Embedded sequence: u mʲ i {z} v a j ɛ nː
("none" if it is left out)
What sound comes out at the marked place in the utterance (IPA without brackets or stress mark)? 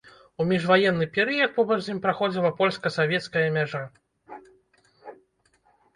ʐ